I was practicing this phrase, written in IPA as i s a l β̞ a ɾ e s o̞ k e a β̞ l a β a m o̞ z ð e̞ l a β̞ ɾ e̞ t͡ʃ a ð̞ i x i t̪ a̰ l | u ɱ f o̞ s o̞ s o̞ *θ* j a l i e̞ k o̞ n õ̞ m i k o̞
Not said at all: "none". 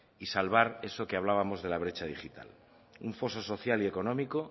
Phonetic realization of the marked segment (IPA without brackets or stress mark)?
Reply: θ